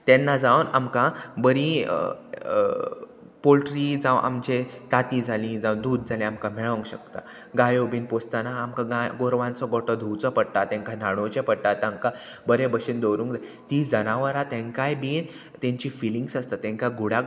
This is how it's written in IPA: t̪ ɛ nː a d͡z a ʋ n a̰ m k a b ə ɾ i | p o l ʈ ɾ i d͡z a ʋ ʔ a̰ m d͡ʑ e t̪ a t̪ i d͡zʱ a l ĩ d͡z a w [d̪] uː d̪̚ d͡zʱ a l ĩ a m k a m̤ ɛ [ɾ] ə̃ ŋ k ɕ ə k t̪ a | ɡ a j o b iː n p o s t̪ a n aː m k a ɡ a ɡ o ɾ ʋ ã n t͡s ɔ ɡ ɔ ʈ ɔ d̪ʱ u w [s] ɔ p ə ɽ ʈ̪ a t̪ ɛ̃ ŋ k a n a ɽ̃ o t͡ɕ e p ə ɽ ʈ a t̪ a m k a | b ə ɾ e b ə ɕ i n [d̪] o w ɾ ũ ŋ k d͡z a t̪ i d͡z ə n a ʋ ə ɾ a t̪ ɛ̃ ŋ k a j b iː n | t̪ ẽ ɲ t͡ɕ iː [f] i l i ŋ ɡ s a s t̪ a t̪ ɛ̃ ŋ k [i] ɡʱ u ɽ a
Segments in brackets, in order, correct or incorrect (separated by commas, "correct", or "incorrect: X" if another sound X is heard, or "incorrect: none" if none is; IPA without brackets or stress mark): correct, incorrect: ɭ, incorrect: t͡s, correct, correct, incorrect: a